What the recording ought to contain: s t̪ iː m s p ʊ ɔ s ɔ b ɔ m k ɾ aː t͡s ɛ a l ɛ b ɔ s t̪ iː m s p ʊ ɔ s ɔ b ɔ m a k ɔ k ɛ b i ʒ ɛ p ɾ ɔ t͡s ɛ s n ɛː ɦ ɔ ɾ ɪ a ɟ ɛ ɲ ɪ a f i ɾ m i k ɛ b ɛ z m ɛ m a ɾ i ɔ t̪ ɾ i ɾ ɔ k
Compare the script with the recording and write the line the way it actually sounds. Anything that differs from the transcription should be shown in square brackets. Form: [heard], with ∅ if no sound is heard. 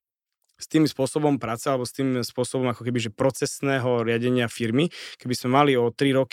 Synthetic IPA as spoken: s t̪ iː m s p ʊ ɔ s ɔ b ɔ m [p] ɾ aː t͡s ɛ a l ɛ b ɔ s t̪ iː m s p ʊ ɔ s ɔ b ɔ m a k ɔ k ɛ b i ʒ ɛ p ɾ ɔ t͡s ɛ s n ɛː ɦ ɔ ɾ ɪ a ɟ ɛ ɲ ɪ a f i ɾ m i k ɛ b [i] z m ɛ m a [l] i ɔ t̪ ɾ i ɾ ɔ k